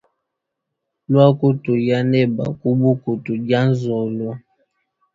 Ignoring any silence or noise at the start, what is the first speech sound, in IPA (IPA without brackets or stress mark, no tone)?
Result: l